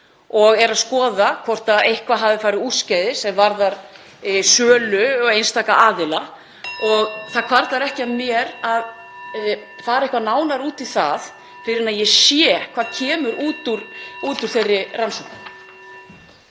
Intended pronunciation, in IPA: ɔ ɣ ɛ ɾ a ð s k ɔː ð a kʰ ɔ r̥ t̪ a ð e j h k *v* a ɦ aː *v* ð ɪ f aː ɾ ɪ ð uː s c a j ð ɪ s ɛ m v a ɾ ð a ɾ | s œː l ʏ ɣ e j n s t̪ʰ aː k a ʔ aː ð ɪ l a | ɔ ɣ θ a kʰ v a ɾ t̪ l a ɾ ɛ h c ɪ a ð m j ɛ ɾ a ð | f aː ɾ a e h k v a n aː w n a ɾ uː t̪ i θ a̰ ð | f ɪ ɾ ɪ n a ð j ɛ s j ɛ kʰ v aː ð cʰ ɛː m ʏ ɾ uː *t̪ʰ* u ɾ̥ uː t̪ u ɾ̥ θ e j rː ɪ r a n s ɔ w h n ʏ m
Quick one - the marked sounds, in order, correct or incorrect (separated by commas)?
correct, correct, incorrect